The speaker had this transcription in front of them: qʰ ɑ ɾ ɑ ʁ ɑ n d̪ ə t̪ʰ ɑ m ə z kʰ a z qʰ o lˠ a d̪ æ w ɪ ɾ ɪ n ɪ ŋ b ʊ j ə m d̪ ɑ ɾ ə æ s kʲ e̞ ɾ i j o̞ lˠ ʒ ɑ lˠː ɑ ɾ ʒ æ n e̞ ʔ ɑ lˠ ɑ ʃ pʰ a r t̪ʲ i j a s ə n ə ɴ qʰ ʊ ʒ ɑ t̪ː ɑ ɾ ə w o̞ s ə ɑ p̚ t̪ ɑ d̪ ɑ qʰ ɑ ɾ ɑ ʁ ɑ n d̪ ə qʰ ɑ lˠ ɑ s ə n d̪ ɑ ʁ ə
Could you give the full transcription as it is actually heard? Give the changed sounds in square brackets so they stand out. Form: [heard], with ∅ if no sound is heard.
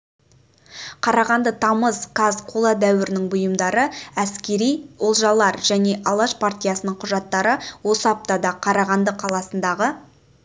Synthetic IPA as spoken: qʰ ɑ ɾ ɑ ʁ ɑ n d̪ ə t̪ʰ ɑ m ə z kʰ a z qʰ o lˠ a d̪ æ w ɪ ɾ ɪ n ɪ ŋ b ʊ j ə m d̪ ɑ ɾ ə æ s kʲ e̞ ɾ i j o̞ lˠ ʒ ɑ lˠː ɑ ɾ ʒ æ n e̞ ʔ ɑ lˠ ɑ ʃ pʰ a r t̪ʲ i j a s ə n ə ɴ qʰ ʊ ʒ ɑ t̪ː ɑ ɾ ə w o̞ s ə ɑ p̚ t̪ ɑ d̪ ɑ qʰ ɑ ɾ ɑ ʁ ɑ n d̪ ə qʰ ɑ lˠ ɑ s ə n d̪ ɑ ʁ ə